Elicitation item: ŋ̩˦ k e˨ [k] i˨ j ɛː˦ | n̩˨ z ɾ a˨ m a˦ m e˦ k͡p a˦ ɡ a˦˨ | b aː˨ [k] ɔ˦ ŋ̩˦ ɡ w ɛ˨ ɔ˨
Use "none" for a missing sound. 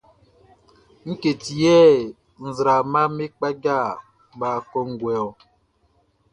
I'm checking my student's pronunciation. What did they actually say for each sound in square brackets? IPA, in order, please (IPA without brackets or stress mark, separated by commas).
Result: t, k